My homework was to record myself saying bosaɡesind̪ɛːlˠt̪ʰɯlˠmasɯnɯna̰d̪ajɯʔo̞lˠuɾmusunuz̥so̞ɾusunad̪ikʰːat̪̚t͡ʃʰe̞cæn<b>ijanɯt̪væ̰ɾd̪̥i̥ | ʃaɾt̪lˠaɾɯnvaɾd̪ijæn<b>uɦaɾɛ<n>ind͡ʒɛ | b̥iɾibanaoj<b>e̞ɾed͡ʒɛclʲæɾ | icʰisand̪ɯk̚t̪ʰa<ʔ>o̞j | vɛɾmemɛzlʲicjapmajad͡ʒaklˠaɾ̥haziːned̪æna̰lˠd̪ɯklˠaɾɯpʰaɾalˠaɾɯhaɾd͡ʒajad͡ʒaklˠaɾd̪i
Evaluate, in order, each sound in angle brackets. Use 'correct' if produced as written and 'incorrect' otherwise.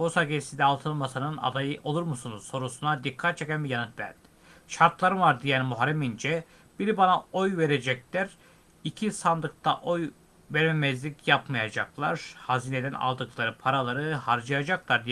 correct, incorrect: m, incorrect: m, incorrect: v, correct

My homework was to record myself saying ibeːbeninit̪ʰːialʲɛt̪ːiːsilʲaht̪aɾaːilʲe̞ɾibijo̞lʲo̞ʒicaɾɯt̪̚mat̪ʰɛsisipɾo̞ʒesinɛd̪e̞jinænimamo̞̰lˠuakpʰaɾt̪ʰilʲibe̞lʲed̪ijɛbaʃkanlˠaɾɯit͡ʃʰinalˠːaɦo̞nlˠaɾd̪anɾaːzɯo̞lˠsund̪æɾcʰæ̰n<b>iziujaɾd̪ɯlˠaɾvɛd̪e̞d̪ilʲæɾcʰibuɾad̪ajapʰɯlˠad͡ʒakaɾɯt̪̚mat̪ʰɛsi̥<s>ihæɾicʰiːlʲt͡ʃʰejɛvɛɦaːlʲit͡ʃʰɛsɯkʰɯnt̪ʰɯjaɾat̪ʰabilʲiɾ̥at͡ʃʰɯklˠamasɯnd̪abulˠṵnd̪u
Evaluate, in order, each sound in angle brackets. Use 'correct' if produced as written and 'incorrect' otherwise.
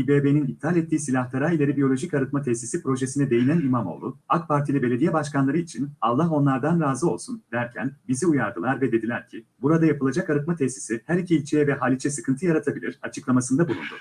correct, correct

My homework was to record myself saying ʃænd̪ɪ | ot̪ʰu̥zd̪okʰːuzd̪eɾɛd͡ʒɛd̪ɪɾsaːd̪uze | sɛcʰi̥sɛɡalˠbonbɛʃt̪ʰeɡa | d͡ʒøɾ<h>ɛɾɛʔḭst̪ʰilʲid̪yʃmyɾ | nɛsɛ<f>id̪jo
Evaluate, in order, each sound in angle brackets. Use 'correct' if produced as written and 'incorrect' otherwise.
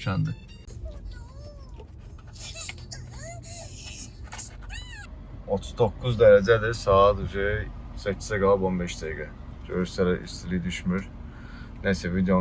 incorrect: s, incorrect: v

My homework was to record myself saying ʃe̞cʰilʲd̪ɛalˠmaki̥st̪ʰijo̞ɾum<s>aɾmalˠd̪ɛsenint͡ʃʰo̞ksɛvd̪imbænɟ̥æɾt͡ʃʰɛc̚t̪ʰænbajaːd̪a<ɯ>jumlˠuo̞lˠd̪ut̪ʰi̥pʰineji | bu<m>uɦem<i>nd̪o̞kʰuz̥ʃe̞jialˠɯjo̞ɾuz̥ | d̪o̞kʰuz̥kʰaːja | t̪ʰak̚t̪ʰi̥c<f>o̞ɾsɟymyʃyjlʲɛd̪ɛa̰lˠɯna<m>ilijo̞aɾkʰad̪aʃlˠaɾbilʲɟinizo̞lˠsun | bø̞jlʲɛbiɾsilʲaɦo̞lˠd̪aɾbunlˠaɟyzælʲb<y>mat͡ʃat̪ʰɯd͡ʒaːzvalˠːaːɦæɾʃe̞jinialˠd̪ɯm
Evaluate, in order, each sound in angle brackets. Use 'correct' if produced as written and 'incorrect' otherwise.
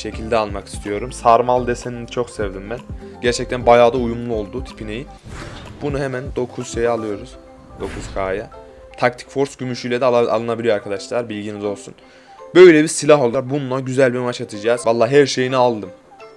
correct, incorrect: u, incorrect: n, incorrect: æ, correct, incorrect: b, incorrect: i

